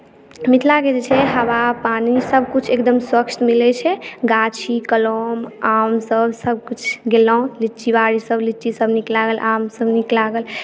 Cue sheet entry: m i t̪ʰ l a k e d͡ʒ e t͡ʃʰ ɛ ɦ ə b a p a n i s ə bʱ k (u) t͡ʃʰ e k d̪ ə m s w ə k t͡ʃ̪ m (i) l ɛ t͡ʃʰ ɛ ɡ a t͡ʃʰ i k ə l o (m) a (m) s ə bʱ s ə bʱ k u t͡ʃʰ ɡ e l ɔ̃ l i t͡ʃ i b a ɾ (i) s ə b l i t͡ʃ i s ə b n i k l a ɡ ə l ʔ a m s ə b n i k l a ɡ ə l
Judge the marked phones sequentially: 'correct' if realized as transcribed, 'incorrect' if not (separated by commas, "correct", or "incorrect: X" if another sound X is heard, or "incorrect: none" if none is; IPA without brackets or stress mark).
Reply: correct, correct, correct, correct, correct